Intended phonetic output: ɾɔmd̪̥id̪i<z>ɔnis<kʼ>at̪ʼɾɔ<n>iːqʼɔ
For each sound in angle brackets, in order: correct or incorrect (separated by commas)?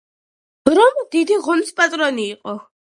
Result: incorrect, incorrect, correct